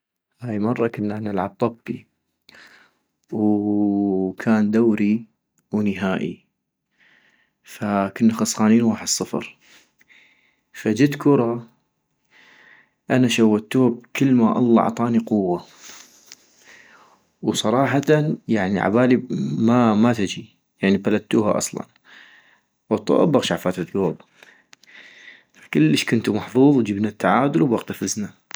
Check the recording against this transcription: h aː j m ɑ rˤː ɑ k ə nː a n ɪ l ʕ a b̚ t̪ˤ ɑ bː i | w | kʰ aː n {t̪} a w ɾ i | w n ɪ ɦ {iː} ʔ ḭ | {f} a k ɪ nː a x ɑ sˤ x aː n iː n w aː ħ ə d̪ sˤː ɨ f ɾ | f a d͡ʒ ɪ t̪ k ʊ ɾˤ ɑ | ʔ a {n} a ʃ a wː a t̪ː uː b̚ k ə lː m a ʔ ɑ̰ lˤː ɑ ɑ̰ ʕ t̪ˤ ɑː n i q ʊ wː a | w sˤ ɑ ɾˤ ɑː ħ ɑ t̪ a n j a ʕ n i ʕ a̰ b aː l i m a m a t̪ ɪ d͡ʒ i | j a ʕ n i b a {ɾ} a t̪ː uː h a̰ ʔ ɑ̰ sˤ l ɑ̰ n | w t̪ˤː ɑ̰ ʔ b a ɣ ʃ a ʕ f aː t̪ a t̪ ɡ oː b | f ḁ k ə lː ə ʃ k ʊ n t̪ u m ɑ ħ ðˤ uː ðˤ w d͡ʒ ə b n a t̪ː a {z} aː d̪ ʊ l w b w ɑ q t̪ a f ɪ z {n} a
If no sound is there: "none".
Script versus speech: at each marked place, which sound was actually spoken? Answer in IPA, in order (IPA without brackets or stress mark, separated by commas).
d̪, aː, f, n, l, ʕ, n